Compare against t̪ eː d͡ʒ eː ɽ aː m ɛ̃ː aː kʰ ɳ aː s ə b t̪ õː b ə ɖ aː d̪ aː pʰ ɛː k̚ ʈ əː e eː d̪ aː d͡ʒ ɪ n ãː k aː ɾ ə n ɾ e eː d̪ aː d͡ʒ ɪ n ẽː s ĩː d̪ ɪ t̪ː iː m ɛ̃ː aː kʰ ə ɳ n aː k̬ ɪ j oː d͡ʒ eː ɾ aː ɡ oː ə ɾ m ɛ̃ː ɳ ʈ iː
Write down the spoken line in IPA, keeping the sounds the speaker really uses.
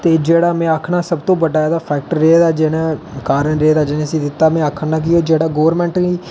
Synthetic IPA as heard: t̪ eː d͡ʒ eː ɽ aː m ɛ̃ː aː kʰ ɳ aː s ə b t̪ õː b ə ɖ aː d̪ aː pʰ ɛː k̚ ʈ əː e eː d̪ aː d͡ʒ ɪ n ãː k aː ɾ ə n ɾ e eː d̪ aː d͡ʒ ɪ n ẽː s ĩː d̪ ɪ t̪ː aː m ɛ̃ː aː kʰ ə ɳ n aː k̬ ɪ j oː d͡ʒ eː ɽ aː ɡ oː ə ɾ m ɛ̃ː ɳ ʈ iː

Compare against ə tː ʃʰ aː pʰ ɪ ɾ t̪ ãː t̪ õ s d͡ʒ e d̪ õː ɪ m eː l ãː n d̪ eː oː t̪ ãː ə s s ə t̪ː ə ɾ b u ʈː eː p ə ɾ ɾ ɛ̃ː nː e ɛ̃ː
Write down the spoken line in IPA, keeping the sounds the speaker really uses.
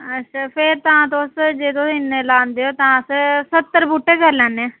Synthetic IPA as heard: ə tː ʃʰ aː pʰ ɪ ɾ t̪ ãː t̪ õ s d͡ʒ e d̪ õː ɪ n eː l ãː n d̪ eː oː t̪ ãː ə s s ə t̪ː ə ɾ b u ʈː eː k ə ɾ l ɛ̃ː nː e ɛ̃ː

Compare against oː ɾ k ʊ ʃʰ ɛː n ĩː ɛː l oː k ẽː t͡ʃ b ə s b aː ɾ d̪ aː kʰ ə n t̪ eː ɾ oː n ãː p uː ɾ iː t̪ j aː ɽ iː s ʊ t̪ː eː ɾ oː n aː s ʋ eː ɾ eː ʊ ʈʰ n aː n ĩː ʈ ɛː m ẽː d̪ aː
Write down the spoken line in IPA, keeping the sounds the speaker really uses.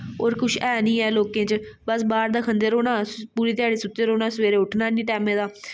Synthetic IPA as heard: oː ɾ k ʊ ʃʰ ɛː n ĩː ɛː l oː k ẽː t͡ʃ b ə s b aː ɾ d̪ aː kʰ ə n d̪ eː ɾ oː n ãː p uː ɾ iː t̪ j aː ɽ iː s ʊ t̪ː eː ɾ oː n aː s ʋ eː ɾ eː ʊ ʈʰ n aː n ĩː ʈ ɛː m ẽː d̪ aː

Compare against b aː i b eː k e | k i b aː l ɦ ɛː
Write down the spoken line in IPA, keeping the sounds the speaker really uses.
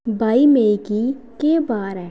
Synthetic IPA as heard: b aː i m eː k i | k e b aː ɾ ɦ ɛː

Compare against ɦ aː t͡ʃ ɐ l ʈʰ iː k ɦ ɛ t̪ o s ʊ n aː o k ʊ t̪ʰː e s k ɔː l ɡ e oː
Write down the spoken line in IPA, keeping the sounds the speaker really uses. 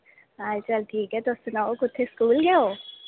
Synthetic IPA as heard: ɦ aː t͡ʃ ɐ l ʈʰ iː k ɦ ɛ t̪ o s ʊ n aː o k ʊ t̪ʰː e s k uː l ɡ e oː

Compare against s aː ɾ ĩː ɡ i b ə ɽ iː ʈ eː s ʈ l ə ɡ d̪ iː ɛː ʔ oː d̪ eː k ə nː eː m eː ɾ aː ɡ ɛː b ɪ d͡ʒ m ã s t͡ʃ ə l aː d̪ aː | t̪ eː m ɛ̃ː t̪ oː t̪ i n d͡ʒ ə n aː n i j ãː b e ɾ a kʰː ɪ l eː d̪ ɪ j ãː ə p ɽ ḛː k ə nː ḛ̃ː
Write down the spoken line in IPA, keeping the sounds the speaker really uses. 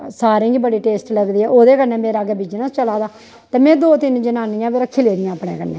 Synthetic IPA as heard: s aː ɾ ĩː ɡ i b ə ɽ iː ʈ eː s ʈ l ə ɡ d̪ iː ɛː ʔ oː d̪ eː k ə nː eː m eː ɾ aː ɡ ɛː b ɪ d͡ʒ n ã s t͡ʃ ə l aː d̪ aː | t̪ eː m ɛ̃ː d̪ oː t̪ ɪ n d͡ʒ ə n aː n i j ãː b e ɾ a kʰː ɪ l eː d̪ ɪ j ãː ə p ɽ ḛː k ə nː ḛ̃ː

